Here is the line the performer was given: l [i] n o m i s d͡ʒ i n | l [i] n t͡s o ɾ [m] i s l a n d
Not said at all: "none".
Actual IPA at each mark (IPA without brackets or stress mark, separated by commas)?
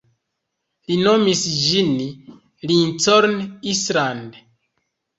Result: i, i, n